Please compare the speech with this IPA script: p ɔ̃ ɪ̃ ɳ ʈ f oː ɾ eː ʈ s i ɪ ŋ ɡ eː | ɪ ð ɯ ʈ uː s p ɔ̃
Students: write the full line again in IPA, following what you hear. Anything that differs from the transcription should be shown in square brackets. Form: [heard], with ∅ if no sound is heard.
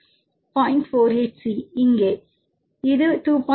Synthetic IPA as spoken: p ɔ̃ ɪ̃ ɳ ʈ f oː ɾ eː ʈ s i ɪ ŋ ɡ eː | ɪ ð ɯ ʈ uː [∅] p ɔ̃